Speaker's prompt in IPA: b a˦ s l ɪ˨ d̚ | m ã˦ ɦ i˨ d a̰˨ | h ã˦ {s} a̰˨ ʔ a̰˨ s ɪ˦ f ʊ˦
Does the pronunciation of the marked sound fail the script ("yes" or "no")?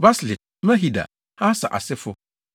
no